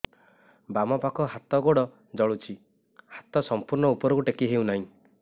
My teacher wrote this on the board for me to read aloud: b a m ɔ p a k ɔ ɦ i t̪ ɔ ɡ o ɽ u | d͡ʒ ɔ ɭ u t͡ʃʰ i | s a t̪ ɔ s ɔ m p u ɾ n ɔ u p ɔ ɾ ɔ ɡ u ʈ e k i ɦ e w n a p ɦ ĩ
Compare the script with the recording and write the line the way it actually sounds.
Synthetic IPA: b a m ɔ p a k ɔ ɦ a t̪ ɔ ɡ o ɽ ɔ | d͡ʒ ɔ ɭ u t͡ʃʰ i | h a t̪ ɔ s ɔ m p u ɾ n ɔ u p ɔ ɾ ɔ k u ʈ e k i ɦ e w n a ɦ ĩ